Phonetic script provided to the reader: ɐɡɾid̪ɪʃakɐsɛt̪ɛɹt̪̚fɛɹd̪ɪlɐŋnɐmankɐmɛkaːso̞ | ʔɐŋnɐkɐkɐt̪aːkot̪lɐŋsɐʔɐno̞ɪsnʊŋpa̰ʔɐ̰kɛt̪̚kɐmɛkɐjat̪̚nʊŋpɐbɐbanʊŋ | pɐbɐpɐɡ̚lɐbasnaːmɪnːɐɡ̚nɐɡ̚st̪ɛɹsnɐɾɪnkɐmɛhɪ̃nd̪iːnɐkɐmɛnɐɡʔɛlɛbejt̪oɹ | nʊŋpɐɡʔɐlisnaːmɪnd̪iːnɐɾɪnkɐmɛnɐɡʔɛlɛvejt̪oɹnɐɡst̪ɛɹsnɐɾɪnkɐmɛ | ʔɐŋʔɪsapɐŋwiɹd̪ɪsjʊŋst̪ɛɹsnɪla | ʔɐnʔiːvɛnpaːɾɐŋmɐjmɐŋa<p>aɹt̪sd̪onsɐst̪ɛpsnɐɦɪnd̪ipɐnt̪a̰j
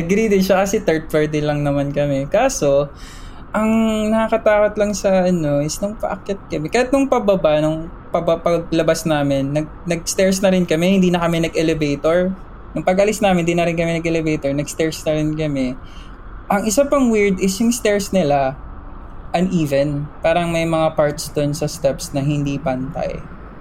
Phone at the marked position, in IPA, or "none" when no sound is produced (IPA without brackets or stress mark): p